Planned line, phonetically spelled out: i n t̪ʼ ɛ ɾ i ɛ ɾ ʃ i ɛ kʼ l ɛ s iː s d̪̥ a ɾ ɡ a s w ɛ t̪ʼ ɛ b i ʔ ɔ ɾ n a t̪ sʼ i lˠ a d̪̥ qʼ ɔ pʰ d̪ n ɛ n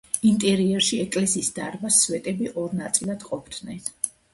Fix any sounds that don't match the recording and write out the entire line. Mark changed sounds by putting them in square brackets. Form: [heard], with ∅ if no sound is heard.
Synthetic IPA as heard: i n t̪ʼ ɛ ɾ i ɛ ɾ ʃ i ɛ kʼ l ɛ s iː s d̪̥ a ɾ [b] a s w ɛ t̪ʼ ɛ b i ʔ ɔ ɾ n a t̪ sʼ i lˠ a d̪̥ qʼ ɔ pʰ d̪ n ɛ n